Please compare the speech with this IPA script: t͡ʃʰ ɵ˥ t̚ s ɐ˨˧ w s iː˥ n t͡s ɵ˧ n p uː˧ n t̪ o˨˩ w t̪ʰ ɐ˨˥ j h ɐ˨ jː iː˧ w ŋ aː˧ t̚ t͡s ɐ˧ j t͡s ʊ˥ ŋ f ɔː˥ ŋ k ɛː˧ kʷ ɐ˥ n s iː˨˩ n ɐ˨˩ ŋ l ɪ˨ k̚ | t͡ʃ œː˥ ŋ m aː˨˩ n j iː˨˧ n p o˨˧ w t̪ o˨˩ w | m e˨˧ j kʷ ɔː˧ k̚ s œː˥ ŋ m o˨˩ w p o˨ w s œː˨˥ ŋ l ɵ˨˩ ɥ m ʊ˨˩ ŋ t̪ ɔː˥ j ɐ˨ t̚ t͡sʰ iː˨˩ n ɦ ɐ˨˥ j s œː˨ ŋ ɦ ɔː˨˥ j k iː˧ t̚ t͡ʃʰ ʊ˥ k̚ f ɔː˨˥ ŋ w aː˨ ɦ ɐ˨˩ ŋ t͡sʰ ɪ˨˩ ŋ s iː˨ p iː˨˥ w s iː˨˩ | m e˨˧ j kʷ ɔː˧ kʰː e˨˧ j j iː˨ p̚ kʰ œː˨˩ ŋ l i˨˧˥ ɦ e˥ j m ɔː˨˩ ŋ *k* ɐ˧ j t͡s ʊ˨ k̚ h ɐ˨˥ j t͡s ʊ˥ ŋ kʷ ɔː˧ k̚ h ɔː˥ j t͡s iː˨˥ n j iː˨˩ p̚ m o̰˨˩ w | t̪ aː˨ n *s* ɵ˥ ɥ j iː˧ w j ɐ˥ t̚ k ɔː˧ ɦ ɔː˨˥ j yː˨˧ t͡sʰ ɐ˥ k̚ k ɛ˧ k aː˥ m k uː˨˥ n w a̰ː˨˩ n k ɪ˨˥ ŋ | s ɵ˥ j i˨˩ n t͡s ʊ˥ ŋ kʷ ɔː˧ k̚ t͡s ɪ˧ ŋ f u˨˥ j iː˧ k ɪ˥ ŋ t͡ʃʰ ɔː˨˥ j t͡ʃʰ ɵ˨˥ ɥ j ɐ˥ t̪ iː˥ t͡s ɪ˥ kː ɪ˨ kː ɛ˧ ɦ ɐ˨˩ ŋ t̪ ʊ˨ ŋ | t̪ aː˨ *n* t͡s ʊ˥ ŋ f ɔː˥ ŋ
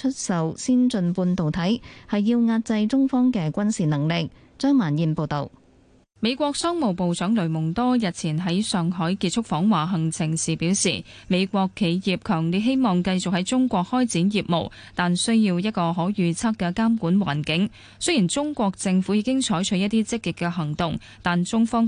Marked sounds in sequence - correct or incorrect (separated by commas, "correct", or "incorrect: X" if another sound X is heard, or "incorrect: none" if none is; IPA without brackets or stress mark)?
correct, correct, correct